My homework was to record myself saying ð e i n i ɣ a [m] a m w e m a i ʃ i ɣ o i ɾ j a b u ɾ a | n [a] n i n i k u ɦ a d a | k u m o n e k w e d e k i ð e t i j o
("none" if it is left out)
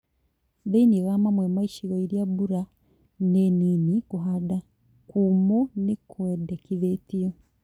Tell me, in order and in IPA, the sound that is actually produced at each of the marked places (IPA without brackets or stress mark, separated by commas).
m, e